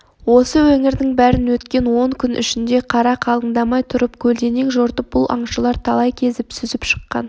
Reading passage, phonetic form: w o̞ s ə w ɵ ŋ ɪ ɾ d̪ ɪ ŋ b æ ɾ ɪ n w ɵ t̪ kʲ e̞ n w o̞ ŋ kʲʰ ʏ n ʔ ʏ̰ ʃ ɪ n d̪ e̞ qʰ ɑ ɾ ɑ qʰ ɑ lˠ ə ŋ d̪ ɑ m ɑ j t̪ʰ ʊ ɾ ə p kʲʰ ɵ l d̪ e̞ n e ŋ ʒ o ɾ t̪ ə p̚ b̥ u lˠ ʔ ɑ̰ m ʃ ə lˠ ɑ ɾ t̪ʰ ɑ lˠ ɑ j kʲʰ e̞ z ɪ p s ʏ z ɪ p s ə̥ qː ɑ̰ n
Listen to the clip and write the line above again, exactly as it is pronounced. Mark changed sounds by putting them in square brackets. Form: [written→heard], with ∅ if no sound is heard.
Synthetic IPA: w o̞ s ə w ɵ ŋ ɪ ɾ d̪ ɪ ŋ b æ ɾ ɪ n w ɵ t̪ kʲ e̞ n w o̞ ŋ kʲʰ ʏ n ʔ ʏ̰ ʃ ɪ n d̪ e̞ qʰ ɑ ɾ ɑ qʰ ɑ lˠ ə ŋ d̪ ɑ m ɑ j t̪ʰ ʊ ɾ ə p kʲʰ ɵ l d̪ e̞ n e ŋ ʒ o ɾ t̪ ə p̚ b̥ [u→ʊ] lˠ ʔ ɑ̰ [m→ɴ] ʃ ə lˠ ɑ ɾ t̪ʰ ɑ lˠ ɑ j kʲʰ e̞ z ɪ p s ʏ z ɪ p [s→ʃ] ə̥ qː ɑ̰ n